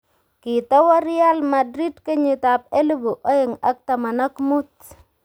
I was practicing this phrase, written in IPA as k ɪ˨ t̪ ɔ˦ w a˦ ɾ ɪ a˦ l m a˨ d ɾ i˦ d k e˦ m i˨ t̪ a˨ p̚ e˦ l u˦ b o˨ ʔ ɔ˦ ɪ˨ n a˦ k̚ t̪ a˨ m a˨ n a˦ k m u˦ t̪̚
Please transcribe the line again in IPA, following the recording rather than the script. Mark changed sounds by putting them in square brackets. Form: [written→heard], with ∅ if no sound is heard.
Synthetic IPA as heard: k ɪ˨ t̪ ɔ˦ w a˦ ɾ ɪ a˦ l m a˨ d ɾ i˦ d k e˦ [m→ɲ] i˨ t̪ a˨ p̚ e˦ l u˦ b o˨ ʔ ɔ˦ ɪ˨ [n→ŋ] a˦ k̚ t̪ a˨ m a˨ n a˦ k m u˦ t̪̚